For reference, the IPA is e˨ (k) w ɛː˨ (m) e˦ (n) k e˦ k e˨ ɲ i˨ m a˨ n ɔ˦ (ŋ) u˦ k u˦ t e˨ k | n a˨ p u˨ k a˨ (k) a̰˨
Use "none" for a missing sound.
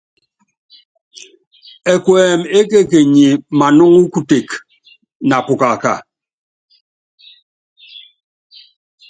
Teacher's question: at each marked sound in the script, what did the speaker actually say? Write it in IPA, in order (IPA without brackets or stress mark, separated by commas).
k, m, none, ŋ, k